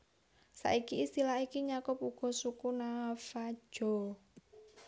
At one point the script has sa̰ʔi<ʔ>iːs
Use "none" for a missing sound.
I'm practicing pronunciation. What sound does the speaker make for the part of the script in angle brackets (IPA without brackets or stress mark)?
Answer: k